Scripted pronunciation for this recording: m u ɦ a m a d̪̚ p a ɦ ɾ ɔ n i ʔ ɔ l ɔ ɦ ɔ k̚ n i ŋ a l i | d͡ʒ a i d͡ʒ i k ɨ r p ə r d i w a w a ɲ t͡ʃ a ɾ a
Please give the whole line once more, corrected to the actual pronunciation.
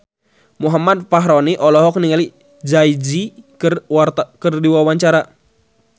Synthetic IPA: m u ɦ a m a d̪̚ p a ɦ ɾ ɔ n i ʔ ɔ l ɔ ɦ ɔ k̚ n i ŋ a l i | d͡ʒ a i d͡ʒ i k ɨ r k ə r d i w a w a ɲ t͡ʃ a ɾ a